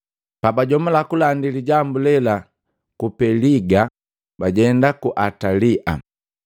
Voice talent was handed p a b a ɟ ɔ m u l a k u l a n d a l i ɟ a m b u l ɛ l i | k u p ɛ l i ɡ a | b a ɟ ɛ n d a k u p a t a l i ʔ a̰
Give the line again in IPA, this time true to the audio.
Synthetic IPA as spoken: p a b a ɟ ɔ m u l a k u l a n d i l i ɟ a m b u l ɛ l a | k u p ɛ l i ɡ a | b a ɟ ɛ n d a k u ʔ a t a l i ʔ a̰